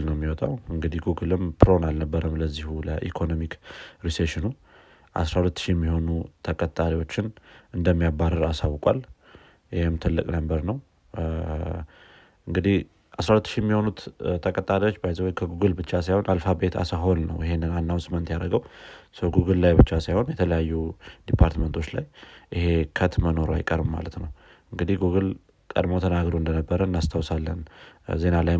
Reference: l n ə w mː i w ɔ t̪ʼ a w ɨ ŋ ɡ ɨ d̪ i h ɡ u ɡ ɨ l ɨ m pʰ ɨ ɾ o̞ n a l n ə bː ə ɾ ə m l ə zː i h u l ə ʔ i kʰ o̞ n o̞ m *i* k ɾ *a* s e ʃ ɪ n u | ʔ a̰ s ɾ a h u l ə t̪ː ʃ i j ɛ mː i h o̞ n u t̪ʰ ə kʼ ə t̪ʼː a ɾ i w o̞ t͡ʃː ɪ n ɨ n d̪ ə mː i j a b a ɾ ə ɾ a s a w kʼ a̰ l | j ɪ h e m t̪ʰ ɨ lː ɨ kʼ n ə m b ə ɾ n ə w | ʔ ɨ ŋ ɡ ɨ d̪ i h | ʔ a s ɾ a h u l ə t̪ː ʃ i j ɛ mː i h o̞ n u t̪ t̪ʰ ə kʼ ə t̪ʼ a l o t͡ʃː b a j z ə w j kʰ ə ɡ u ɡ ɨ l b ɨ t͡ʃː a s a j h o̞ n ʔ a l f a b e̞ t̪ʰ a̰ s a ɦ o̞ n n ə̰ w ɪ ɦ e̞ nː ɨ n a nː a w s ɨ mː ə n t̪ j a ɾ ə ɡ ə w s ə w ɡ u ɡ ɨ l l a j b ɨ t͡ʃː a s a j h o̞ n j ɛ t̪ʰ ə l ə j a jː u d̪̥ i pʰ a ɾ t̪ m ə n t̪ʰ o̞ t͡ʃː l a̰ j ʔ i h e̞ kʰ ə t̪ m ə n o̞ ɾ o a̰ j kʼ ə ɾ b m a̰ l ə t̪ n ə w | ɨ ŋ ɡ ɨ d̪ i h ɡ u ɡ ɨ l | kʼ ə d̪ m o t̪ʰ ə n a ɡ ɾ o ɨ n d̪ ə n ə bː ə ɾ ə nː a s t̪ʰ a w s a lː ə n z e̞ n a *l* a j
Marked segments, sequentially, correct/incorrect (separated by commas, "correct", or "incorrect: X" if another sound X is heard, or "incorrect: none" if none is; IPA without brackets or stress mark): correct, incorrect: i, correct